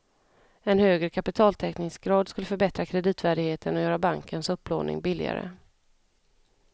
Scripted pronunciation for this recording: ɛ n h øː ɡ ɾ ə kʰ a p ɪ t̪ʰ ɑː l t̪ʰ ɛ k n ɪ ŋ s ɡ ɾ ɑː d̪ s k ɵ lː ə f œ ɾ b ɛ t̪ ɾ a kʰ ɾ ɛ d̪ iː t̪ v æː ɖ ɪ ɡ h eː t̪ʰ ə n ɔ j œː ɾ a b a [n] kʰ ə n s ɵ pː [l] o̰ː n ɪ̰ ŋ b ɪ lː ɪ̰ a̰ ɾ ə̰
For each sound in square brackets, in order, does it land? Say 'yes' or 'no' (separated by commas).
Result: no, yes